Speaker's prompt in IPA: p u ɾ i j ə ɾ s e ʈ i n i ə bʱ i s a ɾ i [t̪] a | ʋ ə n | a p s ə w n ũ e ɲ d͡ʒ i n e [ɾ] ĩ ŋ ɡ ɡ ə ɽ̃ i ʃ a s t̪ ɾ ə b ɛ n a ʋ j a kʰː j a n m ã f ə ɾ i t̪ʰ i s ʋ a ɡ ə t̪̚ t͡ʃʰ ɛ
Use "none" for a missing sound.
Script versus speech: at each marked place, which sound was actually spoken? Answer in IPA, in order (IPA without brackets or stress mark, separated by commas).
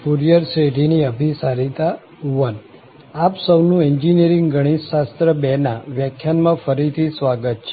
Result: t̪, ɾ